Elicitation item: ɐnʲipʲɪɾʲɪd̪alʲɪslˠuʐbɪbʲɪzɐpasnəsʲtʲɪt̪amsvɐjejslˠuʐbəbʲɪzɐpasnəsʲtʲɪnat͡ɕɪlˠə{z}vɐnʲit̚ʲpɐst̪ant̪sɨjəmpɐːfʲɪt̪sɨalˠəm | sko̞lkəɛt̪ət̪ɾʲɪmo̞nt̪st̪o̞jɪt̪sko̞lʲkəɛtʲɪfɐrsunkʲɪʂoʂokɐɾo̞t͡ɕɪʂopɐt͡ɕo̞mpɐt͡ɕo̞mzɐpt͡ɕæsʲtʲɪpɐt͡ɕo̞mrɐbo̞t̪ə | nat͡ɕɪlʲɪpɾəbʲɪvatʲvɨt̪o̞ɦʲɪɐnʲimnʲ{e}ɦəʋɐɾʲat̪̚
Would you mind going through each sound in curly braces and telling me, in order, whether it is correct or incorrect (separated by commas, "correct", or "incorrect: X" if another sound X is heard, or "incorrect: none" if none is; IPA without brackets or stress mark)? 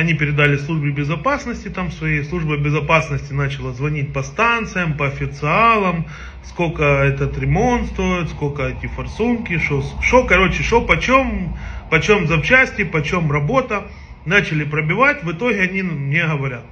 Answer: correct, correct